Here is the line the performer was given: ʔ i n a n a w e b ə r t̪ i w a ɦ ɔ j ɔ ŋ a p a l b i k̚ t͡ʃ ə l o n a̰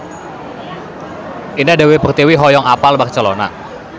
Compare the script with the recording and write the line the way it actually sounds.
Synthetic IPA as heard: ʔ i n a d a w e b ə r t̪ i w i ɦ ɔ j ɔ ŋ a p a l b a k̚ t͡ʃ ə l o n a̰